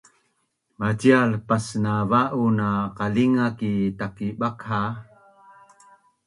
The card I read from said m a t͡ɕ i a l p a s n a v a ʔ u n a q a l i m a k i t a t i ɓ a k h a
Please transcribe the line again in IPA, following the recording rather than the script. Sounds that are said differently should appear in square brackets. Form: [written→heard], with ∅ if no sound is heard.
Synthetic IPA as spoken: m a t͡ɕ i a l p a s n a v a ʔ u n a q a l i [m→ŋ] a k i t a [t→k] i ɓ a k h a